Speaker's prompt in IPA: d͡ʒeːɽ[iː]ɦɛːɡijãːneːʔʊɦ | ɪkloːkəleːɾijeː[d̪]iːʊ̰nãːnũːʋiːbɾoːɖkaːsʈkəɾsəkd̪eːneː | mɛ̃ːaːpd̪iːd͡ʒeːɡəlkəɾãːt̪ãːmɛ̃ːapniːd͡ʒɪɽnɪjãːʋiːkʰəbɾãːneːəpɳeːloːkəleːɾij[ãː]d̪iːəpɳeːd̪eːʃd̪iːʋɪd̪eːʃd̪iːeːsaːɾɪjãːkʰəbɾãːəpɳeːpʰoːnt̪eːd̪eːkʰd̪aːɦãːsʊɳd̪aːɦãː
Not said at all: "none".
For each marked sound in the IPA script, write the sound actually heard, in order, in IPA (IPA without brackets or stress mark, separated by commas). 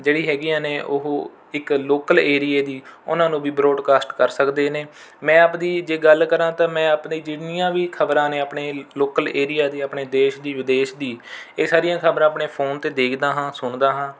iː, d̪, aː